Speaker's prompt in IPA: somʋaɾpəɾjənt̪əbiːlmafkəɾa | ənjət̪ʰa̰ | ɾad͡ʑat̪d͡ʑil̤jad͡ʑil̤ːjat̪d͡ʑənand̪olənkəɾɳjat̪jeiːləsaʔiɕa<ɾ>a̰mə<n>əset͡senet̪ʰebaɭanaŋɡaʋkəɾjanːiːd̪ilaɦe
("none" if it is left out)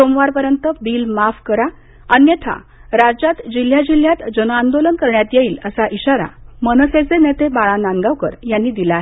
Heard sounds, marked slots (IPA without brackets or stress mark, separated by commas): ɾ, n